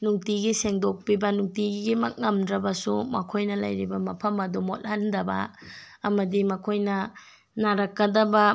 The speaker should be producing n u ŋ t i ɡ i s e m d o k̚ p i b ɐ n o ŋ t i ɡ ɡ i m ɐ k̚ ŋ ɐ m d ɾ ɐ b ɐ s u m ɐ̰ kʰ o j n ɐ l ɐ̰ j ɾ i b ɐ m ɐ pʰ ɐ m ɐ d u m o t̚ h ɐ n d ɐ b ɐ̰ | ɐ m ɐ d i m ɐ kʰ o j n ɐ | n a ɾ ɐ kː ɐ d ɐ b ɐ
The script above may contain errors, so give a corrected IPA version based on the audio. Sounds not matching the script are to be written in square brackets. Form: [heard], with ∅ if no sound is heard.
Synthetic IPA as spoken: n u ŋ t i ɡ i s e [ŋ] d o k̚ p i b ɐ n [u] ŋ t i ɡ ɡ i m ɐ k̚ ŋ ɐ m d ɾ ɐ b ɐ s u m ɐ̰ kʰ o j n ɐ l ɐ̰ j ɾ i b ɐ m ɐ pʰ ɐ m ɐ d u m o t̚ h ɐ n d ɐ b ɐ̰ | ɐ m ɐ d i m ɐ kʰ o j n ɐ | n a ɾ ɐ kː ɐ d ɐ b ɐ